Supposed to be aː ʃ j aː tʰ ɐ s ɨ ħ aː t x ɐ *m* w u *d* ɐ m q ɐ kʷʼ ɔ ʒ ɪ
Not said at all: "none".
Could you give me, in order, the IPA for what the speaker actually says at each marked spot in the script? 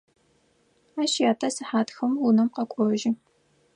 m, n

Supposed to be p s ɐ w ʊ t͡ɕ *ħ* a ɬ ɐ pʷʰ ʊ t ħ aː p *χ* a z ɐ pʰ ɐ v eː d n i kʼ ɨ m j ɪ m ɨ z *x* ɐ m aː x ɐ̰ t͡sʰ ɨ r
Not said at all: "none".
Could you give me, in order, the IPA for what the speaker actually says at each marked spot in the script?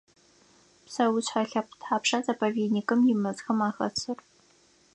ħ, ʂ, x

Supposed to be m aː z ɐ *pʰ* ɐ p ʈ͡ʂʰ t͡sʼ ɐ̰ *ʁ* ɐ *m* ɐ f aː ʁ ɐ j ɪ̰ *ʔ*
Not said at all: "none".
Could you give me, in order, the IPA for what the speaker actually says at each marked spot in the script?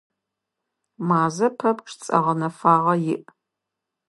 pʰ, ʁ, n, ʔ

